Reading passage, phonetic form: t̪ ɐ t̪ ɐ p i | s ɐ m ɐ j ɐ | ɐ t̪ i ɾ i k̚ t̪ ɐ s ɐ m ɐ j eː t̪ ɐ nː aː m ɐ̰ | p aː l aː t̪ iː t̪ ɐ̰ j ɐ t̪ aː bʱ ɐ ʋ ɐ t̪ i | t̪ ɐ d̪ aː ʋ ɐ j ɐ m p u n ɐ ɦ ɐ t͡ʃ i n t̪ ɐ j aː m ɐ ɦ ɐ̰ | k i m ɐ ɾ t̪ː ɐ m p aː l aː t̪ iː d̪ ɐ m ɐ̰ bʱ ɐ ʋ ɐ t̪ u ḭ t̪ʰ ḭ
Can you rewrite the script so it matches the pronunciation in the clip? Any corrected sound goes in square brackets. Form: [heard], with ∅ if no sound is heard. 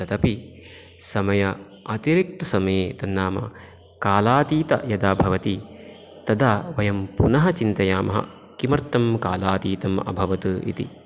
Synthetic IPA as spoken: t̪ ɐ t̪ ɐ p i | s ɐ m ɐ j ɐ | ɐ t̪ i ɾ i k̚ t̪ ɐ s ɐ m ɐ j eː t̪ ɐ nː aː m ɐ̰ | [k] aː l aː t̪ iː t̪ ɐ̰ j ɐ [d̪] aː bʱ ɐ ʋ ɐ t̪ i | t̪ ɐ d̪ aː ʋ ɐ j ɐ m p u n ɐ ɦ ɐ t͡ʃ i n t̪ ɐ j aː m ɐ ɦ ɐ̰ | k i m ɐ ɾ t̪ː ɐ m [k] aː l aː t̪ iː [t̪] ɐ m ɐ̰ bʱ ɐ ʋ ɐ t̪ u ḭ [t̪] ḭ

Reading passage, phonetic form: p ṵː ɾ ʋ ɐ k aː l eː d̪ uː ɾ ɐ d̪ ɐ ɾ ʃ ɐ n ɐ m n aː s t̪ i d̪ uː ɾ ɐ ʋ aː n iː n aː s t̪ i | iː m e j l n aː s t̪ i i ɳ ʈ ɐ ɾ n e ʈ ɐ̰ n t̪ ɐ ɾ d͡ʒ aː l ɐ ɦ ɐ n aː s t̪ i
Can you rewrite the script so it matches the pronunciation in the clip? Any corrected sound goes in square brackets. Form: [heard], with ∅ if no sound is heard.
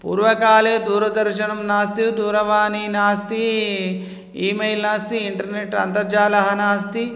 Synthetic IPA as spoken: p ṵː ɾ ʋ ɐ k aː l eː d̪ uː ɾ ɐ d̪ ɐ ɾ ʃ ɐ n ɐ m n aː s t̪ i d̪ uː ɾ ɐ ʋ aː n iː n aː s t̪ i | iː m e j l n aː s t̪ i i ɳ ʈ ɐ ɾ n e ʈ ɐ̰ n t̪ ɐ ɾ d͡ʒ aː l ɐ ɦ ɐ n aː s t̪ i

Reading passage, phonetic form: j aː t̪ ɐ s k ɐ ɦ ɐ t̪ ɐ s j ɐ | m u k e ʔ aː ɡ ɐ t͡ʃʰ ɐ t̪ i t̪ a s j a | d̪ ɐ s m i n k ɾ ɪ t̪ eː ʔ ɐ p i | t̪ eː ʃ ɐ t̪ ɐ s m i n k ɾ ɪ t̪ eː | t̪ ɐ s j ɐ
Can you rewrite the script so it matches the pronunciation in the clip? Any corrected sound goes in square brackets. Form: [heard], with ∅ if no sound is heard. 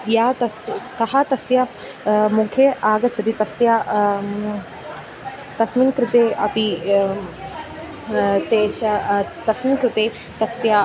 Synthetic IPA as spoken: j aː t̪ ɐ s k ɐ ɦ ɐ t̪ ɐ s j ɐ | m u [kʰ] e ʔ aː ɡ ɐ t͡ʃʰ ɐ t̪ i t̪ [ɐ] s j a | [t̪] ɐ s m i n k ɾ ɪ t̪ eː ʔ ɐ p i | t̪ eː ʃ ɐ t̪ ɐ s m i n k ɾ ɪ t̪ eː | t̪ ɐ s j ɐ

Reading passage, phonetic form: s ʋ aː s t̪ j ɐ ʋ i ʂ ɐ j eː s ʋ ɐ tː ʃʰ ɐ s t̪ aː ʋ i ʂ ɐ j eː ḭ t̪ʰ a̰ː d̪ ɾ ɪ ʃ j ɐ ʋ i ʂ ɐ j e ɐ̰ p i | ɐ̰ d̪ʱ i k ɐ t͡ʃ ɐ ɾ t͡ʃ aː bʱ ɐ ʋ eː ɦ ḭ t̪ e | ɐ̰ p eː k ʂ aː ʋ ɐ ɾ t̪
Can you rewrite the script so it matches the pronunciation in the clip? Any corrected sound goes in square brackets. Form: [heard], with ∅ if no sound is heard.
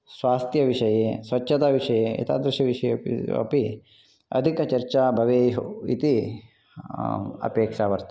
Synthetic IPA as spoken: s ʋ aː s t̪ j ɐ ʋ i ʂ ɐ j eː s ʋ ɐ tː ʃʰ ɐ [∅] t̪ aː ʋ i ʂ ɐ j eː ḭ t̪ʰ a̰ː d̪ ɾ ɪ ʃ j ɐ ʋ i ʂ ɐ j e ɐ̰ p i | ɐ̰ d̪ʱ i k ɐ t͡ʃ ɐ ɾ t͡ʃ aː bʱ ɐ ʋ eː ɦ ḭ t̪ [i] | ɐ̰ p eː k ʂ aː ʋ ɐ ɾ t̪

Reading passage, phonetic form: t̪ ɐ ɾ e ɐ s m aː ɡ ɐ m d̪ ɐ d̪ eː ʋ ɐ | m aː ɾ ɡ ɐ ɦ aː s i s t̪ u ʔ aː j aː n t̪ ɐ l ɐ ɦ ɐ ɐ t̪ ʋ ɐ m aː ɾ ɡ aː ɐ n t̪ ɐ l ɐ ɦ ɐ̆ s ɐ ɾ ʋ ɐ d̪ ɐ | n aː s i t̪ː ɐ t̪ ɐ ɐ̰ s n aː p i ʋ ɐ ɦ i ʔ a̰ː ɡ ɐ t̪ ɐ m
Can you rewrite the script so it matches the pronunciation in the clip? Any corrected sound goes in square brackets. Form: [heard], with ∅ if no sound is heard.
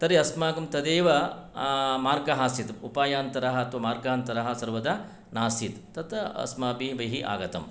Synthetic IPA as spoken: t̪ ɐ ɾ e ɐ s m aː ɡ ɐ m [t̪] ɐ d̪ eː ʋ ɐ | m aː ɾ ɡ ɐ ɦ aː s i [∅] t̪ u [p] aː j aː n t̪ ɐ [ɾ] ɐ ɦ ɐ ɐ t̪ ʋ ɐ m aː ɾ ɡ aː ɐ n t̪ ɐ [ɾ] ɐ ɦ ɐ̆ s ɐ ɾ ʋ ɐ d̪ ɐ | n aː s i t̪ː ɐ t̪ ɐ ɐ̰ s [m] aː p i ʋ ɐ ɦ i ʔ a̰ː ɡ ɐ t̪ ɐ m

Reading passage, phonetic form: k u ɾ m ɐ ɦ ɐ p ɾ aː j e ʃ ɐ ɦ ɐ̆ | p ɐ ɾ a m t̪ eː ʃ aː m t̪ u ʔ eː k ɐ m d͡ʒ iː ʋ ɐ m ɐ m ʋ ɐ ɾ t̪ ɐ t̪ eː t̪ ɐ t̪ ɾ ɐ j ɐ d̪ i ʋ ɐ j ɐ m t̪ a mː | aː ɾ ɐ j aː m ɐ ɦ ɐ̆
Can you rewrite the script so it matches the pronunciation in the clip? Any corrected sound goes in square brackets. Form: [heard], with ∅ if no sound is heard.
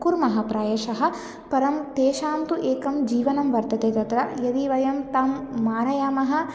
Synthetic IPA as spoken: k u ɾ m ɐ ɦ ɐ p ɾ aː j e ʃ ɐ ɦ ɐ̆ | p ɐ ɾ [ɐ] m t̪ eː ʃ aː m t̪ u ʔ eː k ɐ m d͡ʒ iː ʋ ɐ [n] ɐ m ʋ ɐ ɾ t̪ ɐ t̪ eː t̪ ɐ t̪ ɾ ɐ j ɐ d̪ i ʋ ɐ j ɐ m t̪ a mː | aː ɾ ɐ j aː m ɐ ɦ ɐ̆

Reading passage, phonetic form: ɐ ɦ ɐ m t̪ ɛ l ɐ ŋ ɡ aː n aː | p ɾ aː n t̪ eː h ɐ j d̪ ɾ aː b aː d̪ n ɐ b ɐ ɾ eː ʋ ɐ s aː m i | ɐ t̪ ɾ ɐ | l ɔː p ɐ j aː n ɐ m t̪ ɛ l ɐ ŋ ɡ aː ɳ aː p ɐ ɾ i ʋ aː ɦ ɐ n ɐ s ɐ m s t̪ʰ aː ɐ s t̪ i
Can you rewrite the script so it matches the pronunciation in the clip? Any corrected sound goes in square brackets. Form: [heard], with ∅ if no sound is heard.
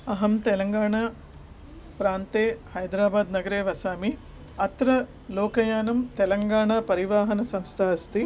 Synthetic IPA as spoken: ɐ ɦ ɐ m t̪ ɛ l ɐ ŋ ɡ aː [ɳ] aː | p ɾ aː n t̪ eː h ɐ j d̪ ɾ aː b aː d̪ n ɐ [ɡ] ɐ ɾ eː ʋ ɐ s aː m i | ɐ t̪ ɾ ɐ | l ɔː [k] ɐ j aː n ɐ m t̪ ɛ l ɐ ŋ ɡ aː ɳ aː p ɐ ɾ i ʋ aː ɦ ɐ n ɐ s ɐ m s t̪ʰ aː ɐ s t̪ i

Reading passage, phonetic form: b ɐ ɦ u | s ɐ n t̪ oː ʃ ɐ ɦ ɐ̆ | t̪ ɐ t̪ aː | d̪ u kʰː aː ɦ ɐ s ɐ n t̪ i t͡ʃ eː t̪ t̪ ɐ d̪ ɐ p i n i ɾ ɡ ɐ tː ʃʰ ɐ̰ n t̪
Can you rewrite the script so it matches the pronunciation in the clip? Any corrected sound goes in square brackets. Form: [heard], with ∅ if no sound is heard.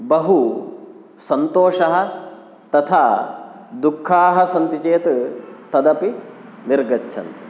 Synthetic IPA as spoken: b ɐ ɦ u | s ɐ n t̪ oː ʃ ɐ ɦ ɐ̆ | t̪ ɐ [t̪ʰ] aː | d̪ u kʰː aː ɦ ɐ s ɐ n t̪ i t͡ʃ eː t̪ t̪ ɐ d̪ ɐ p i n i ɾ ɡ ɐ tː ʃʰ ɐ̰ n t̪

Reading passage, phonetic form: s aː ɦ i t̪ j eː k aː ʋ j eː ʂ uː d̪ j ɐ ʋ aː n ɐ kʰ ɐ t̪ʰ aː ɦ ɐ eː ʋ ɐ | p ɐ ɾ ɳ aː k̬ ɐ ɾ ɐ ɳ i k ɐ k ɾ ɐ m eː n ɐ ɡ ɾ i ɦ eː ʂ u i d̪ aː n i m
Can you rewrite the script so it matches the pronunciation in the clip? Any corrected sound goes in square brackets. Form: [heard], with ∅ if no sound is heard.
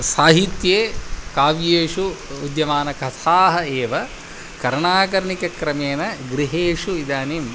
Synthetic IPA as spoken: s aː ɦ i t̪ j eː k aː ʋ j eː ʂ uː d̪ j ɐ ʋ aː n ɐ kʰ ɐ t̪ʰ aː ɦ ɐ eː ʋ ɐ | [k] ɐ ɾ ɳ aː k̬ ɐ ɾ ɐ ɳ i k ɐ k ɾ ɐ m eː n ɐ ɡ ɾ i ɦ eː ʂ u i d̪ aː n i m

